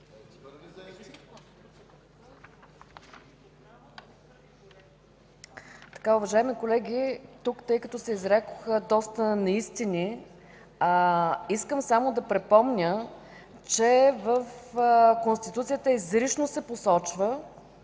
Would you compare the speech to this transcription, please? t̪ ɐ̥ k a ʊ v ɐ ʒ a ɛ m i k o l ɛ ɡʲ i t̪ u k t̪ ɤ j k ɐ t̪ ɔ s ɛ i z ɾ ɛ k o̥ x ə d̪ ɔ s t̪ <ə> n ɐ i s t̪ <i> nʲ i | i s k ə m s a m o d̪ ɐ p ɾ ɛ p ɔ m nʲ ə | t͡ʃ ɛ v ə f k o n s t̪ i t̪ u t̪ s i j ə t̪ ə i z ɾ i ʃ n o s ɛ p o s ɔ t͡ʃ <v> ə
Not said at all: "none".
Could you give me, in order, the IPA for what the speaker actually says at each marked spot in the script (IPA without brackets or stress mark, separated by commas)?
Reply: ə, i, v